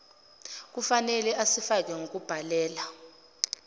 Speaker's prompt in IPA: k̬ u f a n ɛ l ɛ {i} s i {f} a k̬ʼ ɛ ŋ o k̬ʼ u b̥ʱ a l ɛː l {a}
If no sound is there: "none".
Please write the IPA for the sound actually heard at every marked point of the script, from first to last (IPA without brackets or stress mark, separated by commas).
a, f, a